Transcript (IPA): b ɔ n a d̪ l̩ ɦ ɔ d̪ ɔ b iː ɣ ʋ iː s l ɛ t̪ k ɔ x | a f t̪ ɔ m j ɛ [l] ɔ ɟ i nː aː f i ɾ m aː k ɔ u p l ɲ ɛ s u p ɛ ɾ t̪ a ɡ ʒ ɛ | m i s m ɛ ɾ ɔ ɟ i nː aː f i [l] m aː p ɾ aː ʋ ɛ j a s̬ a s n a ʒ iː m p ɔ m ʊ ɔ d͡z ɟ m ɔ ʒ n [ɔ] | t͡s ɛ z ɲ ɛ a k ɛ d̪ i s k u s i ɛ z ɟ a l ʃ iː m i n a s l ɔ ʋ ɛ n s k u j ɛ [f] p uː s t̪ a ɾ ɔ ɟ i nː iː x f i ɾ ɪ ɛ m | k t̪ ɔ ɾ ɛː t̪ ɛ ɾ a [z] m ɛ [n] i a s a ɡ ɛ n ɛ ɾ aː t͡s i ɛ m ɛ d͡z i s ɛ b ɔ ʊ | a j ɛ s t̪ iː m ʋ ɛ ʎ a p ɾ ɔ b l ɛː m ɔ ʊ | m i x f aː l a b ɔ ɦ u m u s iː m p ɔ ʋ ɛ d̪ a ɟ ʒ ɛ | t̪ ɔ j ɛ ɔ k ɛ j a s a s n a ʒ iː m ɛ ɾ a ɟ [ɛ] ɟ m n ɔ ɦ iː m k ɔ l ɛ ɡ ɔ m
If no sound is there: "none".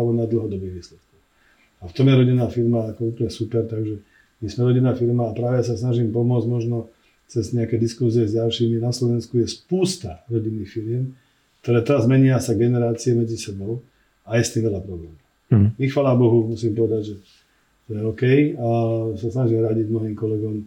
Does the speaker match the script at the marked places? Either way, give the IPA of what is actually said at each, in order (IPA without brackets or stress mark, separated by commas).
ɾ, ɾ, ɔ, s, z, ɲ, i